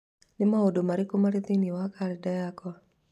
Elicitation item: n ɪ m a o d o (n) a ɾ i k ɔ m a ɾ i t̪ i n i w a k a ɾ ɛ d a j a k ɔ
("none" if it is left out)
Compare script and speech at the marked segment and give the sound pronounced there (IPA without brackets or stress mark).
m